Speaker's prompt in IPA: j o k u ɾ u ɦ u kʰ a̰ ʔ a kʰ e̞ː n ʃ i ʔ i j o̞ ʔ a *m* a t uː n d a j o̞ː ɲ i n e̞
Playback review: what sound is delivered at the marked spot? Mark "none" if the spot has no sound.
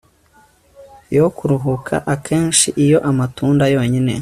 m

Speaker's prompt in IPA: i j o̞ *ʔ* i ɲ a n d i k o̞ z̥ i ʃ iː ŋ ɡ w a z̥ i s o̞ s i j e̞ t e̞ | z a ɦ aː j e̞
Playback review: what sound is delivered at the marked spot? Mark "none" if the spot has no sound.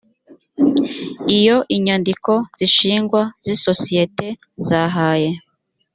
ʔ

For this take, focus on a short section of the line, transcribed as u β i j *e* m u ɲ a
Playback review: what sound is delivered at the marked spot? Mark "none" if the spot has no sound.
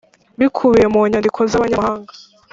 e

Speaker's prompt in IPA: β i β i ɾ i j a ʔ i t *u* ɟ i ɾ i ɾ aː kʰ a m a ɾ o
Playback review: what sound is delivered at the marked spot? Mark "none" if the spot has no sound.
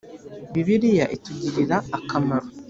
u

